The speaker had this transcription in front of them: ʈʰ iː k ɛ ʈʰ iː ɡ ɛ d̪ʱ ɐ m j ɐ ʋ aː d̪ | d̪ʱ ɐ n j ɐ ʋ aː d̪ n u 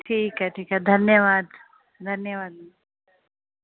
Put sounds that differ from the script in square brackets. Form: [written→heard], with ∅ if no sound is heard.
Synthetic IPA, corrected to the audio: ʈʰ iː k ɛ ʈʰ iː [ɡ→k] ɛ d̪ʱ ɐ [m→n] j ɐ ʋ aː d̪ | d̪ʱ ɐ n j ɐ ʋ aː d̪ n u